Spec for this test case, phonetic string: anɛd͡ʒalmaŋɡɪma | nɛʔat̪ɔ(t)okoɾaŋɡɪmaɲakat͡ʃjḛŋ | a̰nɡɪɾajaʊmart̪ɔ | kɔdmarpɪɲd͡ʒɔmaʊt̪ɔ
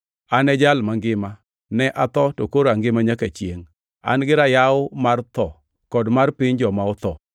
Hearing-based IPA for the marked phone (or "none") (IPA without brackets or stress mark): t